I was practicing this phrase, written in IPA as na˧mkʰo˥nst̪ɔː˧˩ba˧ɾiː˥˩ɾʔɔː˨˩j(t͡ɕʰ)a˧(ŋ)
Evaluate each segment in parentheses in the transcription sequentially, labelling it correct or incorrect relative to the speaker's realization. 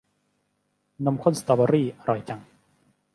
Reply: incorrect: t͡ɕ, correct

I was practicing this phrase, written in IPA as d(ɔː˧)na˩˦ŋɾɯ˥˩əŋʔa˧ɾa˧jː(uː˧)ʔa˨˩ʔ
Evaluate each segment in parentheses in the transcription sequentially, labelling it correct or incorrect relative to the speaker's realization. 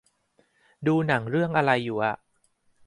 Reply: incorrect: uː˧, incorrect: uː˨˩

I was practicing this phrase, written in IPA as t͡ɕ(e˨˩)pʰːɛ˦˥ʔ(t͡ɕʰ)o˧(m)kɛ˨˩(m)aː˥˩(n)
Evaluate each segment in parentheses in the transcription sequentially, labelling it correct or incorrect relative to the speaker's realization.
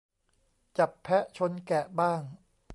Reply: incorrect: a˨˩, correct, incorrect: n, incorrect: b, incorrect: ŋ

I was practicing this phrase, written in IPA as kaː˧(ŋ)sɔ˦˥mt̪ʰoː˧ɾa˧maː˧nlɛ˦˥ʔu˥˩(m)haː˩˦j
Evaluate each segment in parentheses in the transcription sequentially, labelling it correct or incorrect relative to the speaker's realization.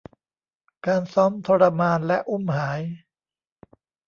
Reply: incorrect: n, correct

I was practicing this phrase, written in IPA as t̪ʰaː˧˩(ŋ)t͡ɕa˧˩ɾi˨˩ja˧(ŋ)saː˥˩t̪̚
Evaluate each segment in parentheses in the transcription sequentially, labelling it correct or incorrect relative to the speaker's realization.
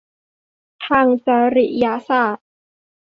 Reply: correct, incorrect: none

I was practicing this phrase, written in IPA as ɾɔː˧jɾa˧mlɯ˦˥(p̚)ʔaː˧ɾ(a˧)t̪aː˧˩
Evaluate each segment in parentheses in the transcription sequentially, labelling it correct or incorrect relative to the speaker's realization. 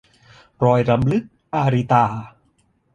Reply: incorrect: k̚, incorrect: i˧

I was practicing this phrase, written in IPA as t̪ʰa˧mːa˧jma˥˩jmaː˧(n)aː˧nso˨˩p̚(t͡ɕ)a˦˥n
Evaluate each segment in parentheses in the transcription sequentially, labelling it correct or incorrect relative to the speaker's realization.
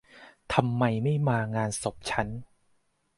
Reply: incorrect: ŋ, incorrect: t͡ɕʰ

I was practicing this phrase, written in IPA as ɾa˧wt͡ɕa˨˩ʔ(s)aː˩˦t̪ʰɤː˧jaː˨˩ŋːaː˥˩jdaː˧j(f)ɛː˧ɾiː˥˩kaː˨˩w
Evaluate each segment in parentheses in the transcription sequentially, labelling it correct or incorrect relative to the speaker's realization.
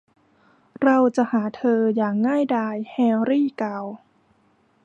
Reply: incorrect: h, incorrect: h

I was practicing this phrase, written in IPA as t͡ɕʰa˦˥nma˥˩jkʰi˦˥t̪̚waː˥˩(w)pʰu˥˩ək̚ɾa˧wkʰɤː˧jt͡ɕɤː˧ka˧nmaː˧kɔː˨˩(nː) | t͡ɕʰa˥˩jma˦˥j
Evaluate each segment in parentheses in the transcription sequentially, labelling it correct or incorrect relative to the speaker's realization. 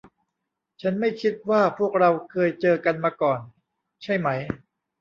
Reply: incorrect: none, incorrect: n

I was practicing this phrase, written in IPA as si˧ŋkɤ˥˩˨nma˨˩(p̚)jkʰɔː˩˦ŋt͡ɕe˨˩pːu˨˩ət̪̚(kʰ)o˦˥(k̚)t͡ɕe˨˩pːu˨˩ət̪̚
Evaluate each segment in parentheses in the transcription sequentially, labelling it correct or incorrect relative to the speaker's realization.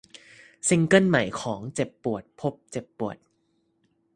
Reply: incorrect: none, incorrect: pʰ, incorrect: p̚

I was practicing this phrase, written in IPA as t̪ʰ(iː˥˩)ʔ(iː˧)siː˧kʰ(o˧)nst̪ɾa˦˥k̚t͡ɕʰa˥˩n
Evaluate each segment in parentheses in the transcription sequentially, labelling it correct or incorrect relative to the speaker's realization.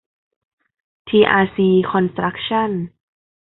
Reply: incorrect: iː˧, incorrect: aː˧, incorrect: ɔ˧

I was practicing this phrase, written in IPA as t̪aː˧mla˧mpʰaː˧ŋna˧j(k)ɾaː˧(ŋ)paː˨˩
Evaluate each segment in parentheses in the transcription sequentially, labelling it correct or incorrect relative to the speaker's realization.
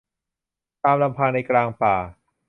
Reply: correct, correct

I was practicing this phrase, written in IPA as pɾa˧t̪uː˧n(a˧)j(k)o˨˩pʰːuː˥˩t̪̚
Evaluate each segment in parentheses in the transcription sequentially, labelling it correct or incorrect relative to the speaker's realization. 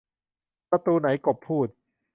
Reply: incorrect: a˩˦, correct

